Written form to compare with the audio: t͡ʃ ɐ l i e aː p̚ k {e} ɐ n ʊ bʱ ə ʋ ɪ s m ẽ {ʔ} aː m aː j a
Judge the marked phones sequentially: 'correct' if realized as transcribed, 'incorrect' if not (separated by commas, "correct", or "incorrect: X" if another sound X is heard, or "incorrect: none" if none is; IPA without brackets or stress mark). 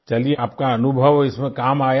incorrect: a, incorrect: k